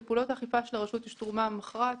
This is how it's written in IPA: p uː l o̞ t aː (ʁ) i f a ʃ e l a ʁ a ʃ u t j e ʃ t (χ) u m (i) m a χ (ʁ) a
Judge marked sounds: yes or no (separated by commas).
no, no, no, yes